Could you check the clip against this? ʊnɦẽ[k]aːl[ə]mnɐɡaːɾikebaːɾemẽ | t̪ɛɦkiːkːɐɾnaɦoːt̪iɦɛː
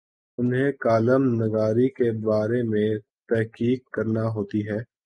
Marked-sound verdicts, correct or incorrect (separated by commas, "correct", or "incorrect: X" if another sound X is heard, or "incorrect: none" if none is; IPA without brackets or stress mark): correct, correct